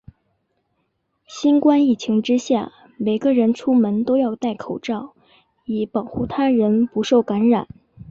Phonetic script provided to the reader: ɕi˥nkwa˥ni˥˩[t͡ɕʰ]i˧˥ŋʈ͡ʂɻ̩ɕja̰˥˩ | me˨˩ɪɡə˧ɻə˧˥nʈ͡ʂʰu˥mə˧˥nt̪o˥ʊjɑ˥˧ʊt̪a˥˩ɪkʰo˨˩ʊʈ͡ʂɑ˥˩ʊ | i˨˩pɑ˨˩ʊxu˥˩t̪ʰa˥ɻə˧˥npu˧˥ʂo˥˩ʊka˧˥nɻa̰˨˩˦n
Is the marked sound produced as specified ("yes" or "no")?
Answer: yes